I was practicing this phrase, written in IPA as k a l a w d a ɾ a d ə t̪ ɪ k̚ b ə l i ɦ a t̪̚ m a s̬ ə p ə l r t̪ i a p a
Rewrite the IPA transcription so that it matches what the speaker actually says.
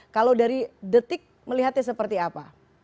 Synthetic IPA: k a l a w d a ɾ i d ə t̪ ɪ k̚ m ə l i ɦ a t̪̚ ɲ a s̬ ə p ə r t̪ i a p a